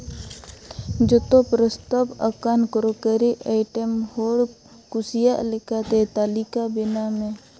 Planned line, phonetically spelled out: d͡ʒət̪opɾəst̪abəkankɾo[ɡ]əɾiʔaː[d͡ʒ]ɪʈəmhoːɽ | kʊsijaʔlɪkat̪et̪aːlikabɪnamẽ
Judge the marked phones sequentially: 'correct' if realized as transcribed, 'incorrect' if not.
incorrect: k, incorrect: none

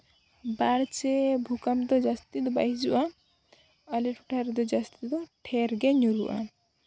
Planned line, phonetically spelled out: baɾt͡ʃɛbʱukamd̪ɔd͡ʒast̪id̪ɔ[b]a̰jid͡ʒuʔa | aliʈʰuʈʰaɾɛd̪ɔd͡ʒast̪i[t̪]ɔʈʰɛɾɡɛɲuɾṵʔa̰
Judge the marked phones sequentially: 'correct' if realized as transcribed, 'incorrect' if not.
correct, incorrect: d̪

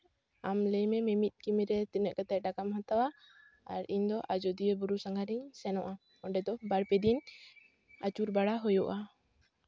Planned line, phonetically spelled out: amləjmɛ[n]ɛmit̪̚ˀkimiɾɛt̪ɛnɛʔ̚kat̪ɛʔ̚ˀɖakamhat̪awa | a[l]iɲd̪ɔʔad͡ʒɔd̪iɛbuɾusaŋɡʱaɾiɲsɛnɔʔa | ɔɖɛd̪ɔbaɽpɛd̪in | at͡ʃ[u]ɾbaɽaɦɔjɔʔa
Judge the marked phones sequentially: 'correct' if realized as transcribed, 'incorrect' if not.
incorrect: m, incorrect: ɾ, correct

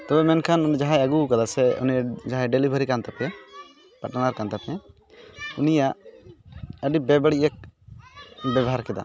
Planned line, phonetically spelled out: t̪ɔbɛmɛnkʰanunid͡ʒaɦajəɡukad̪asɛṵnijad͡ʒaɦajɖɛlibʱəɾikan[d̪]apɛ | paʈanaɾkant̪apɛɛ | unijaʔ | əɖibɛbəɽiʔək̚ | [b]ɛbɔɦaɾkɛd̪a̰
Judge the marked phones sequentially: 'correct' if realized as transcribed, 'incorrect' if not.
incorrect: t̪, correct

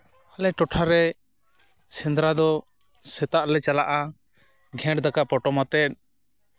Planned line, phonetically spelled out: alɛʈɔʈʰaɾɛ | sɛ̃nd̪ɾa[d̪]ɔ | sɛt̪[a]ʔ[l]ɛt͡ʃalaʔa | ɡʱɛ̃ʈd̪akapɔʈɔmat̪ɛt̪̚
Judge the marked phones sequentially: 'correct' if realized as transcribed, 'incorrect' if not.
correct, correct, correct

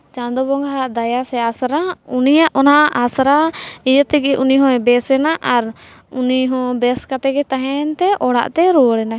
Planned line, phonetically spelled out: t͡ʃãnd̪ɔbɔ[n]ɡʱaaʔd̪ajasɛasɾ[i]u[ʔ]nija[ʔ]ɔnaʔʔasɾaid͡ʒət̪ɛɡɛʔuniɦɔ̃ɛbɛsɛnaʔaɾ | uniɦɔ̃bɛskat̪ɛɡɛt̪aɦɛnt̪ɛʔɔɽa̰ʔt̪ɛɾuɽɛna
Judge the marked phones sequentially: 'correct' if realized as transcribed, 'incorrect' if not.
incorrect: ŋ, incorrect: a, incorrect: none, correct

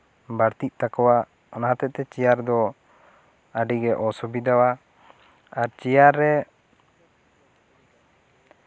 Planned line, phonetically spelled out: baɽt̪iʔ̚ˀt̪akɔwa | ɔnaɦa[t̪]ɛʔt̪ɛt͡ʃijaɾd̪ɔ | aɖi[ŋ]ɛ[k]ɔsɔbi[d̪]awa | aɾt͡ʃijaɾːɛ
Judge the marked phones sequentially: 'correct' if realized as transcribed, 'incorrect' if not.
correct, incorrect: ɡ, incorrect: ʔ, correct

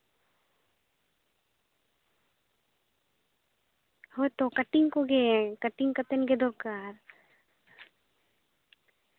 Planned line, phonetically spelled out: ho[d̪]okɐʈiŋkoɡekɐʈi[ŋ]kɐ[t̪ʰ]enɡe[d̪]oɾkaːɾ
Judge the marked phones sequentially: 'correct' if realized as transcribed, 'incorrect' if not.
incorrect: t̪, correct, incorrect: t̪, correct

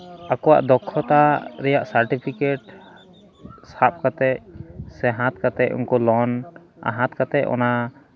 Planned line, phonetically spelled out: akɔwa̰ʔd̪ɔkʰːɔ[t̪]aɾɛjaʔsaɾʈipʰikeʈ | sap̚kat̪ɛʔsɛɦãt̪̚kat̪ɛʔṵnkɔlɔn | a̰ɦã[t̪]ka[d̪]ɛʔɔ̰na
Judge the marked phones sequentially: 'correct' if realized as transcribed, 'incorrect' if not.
correct, correct, incorrect: t̪

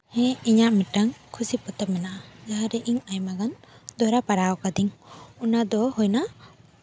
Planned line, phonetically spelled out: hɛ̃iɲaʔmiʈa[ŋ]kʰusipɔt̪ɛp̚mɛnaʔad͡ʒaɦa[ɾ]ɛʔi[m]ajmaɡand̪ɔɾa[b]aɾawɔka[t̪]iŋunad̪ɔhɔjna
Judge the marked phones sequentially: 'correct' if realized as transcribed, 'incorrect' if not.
correct, correct, incorrect: ɲ, incorrect: p, incorrect: d̪

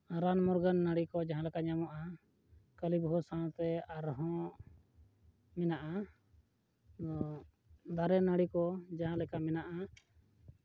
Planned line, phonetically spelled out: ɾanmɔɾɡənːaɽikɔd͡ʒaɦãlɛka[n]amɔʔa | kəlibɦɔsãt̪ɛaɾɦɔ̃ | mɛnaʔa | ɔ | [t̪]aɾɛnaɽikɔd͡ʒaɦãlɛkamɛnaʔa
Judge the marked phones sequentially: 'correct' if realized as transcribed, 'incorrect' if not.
incorrect: ɲ, incorrect: d̪

